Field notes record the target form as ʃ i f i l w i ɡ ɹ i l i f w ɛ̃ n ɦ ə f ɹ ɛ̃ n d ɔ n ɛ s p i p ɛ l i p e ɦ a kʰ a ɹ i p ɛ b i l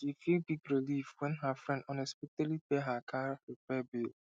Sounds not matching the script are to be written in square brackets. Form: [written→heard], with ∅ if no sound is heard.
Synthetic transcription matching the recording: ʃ i f i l [w→b] i ɡ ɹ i l i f w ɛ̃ n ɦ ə f ɹ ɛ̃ n d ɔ n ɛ s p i [p→t] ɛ l i p e ɦ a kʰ a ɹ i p ɛ b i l